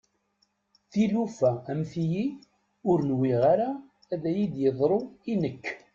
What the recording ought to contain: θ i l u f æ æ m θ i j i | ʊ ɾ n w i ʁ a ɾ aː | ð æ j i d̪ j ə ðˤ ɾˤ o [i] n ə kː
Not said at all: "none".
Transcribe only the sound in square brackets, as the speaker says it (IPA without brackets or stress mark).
i